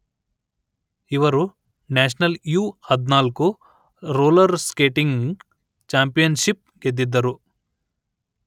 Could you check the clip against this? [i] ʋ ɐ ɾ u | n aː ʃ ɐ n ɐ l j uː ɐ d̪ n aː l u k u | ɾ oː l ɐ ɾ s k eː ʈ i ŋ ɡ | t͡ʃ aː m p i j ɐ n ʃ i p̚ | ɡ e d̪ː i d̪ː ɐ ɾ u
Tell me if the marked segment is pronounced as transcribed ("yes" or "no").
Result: yes